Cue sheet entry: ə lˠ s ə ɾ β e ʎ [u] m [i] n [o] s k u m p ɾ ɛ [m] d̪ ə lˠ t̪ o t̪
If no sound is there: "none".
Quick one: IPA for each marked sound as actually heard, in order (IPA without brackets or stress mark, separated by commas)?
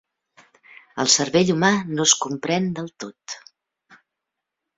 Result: u, a, o, n